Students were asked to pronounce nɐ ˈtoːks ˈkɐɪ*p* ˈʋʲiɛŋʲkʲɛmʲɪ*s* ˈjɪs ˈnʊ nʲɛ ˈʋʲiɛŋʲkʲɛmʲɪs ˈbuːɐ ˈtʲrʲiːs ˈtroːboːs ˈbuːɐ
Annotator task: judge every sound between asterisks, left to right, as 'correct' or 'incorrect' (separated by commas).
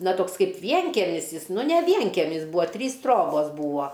correct, correct